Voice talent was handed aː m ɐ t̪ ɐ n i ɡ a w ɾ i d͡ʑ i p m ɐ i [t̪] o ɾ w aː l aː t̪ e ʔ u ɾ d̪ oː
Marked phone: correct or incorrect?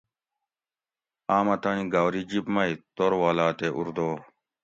correct